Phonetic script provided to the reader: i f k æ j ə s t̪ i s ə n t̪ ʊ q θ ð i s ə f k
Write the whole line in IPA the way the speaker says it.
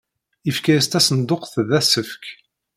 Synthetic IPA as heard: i f k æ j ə s t̪ æ s ə n d̪ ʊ q θ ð æ s ə f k